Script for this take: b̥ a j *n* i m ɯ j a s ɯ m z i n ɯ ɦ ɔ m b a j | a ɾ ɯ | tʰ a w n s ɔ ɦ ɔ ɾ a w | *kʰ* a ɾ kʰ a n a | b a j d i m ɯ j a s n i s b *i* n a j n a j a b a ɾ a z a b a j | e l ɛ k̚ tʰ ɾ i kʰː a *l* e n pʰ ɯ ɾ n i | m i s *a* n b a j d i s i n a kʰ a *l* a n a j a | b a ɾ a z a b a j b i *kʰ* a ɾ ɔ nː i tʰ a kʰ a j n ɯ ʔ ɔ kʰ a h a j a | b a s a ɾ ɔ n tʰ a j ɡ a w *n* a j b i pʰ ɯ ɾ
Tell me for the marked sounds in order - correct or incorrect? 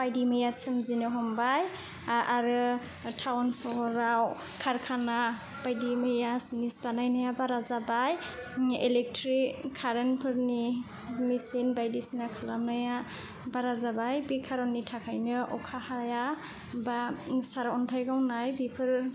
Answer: incorrect: d, correct, incorrect: a, incorrect: ɾ, incorrect: i, correct, correct, correct

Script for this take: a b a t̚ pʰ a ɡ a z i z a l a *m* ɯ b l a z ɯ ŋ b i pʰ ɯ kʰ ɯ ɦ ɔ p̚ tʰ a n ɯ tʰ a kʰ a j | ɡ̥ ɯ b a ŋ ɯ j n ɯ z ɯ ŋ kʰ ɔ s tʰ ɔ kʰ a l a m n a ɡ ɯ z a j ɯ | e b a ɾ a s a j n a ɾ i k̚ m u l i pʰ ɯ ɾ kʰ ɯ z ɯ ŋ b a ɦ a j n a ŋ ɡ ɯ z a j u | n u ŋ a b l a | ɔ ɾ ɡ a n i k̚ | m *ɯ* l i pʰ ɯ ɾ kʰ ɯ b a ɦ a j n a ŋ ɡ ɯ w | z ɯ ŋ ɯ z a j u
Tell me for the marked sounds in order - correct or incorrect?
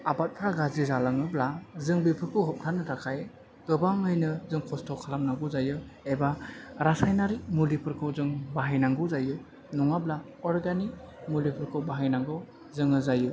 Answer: incorrect: ŋ, incorrect: u

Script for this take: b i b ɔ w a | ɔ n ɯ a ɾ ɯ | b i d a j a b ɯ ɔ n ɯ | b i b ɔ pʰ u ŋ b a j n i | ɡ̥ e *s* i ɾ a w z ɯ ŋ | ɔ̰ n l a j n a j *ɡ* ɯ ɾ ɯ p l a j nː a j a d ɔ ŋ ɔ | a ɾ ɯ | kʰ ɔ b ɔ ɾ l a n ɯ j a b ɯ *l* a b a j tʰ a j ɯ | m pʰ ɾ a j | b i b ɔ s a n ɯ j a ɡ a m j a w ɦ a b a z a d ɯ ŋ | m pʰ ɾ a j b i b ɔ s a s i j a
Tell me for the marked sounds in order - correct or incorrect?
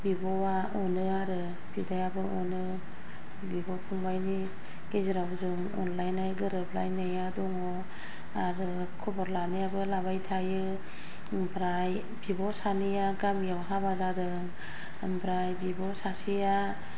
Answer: incorrect: z, correct, correct

